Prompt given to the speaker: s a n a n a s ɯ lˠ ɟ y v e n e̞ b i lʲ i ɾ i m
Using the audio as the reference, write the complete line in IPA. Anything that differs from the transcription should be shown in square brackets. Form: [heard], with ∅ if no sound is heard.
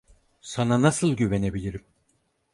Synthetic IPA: s a n a n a s ɯ lˠ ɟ y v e n e̞ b i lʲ i ɾ i m

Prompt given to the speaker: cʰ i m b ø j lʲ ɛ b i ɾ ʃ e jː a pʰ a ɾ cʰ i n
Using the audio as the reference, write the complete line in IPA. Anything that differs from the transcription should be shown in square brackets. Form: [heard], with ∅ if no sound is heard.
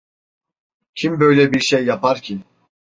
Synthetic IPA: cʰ i m b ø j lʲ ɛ b i ɾ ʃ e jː a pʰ a ɾ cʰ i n

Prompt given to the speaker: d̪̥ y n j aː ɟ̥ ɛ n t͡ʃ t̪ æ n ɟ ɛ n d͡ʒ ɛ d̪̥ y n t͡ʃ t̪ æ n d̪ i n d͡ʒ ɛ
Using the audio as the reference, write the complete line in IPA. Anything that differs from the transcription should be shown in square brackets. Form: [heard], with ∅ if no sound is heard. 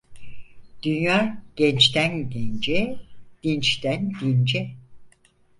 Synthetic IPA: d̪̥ y n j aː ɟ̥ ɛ n t͡ʃ t̪ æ n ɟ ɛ n d͡ʒ ɛ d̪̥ [i] n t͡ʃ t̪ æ n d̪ i n d͡ʒ ɛ

